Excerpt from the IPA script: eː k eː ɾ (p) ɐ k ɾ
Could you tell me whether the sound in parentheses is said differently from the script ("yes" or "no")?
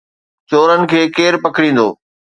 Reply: no